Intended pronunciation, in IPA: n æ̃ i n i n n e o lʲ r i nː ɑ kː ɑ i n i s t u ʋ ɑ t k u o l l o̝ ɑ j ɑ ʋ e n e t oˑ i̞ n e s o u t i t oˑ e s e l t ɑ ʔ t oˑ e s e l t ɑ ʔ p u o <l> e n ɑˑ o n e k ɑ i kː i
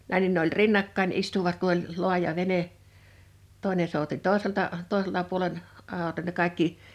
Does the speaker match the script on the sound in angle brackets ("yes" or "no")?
yes